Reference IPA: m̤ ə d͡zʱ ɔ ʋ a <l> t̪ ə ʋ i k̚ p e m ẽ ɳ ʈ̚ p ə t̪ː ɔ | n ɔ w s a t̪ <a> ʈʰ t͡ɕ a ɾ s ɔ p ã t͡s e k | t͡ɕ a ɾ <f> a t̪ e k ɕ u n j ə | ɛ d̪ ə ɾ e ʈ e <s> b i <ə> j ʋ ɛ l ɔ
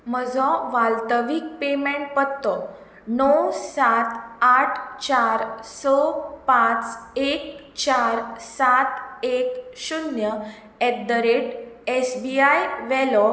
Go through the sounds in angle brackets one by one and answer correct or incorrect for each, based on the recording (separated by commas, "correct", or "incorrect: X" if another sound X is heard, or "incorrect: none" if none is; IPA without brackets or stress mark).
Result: correct, correct, incorrect: s, correct, incorrect: a